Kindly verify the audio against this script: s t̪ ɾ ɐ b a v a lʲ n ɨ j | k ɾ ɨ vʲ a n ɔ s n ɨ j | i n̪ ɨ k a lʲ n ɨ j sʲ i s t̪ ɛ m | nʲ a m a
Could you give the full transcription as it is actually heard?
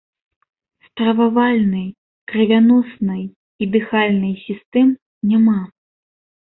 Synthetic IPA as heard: s t̪ ɾ ɐ v a v a lʲ n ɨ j | k ɾ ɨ vʲ a n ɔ s n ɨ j | i d̪ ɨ x a lʲ n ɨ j sʲ i s t̪ ɛ m | nʲ a m a